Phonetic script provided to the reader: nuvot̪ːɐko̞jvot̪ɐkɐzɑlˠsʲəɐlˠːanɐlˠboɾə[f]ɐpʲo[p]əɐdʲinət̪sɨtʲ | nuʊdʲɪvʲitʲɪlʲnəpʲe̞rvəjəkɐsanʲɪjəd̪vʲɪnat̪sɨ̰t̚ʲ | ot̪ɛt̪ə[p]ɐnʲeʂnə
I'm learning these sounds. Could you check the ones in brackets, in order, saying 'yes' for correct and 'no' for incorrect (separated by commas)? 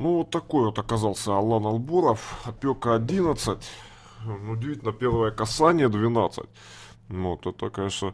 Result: yes, no, no